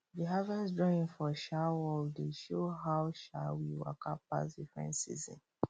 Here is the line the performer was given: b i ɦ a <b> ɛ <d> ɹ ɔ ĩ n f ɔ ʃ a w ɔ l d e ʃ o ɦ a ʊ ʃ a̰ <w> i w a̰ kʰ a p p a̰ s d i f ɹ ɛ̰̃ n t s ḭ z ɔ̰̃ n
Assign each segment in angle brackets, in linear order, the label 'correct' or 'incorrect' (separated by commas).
incorrect, correct, correct